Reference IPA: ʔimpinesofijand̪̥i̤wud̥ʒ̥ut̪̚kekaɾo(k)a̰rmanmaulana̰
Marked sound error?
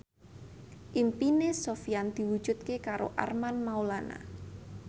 yes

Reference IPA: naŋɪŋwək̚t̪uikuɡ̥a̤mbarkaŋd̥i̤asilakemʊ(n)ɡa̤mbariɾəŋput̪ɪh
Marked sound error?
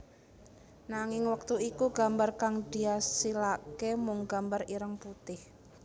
yes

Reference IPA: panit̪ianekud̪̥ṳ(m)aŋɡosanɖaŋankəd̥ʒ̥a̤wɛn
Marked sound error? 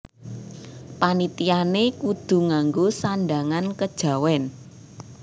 yes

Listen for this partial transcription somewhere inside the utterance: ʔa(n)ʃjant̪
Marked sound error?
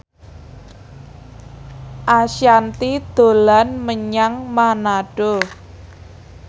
yes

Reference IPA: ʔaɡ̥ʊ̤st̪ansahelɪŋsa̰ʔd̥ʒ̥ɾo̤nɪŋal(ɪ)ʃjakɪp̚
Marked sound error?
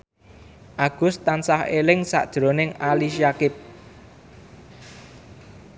yes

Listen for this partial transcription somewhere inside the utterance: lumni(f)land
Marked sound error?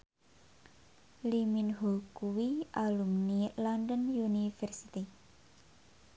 yes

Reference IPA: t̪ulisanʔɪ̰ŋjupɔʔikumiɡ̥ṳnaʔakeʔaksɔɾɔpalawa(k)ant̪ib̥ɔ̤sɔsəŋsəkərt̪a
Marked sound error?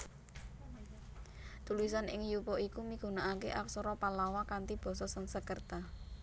no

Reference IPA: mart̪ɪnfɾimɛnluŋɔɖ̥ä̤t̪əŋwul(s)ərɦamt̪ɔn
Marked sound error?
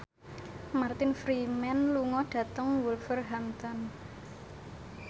yes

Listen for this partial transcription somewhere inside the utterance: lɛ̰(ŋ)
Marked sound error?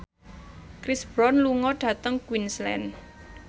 yes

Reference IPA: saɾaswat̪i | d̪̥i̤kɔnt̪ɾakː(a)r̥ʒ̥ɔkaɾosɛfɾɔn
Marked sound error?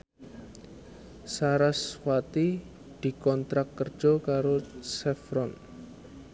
yes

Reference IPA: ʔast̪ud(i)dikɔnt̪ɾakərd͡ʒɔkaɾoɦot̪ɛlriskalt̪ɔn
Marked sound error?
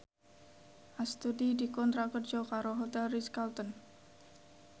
no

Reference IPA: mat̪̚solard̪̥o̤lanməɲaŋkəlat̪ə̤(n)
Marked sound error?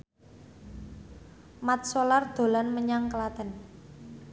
no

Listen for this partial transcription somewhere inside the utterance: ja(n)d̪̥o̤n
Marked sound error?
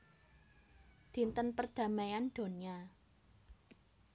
no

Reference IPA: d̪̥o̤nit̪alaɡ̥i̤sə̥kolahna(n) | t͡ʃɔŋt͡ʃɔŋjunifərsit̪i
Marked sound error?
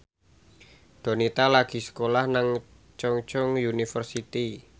yes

